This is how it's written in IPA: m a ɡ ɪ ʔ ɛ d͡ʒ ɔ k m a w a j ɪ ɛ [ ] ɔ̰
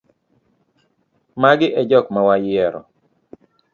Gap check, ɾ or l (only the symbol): ɾ